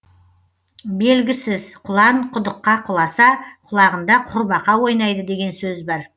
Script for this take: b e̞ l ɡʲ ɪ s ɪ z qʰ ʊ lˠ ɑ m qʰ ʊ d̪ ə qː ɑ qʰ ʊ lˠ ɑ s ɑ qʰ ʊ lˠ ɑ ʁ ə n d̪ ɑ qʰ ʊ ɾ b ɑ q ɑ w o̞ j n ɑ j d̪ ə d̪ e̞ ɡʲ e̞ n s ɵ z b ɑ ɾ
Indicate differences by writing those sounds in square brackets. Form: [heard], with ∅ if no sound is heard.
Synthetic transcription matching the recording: b e̞ l ɡʲ ɪ s ɪ z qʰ ʊ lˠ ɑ [ɴ] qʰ ʊ d̪ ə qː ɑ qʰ ʊ lˠ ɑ s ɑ qʰ ʊ lˠ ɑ ʁ ə n d̪ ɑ qʰ ʊ ɾ b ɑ q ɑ w o̞ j n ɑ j d̪ ə d̪ e̞ ɡʲ e̞ n s ɵ z b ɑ ɾ